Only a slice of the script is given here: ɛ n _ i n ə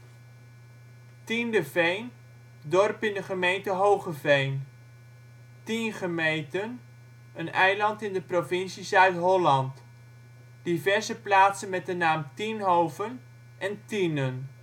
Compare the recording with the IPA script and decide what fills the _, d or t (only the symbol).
t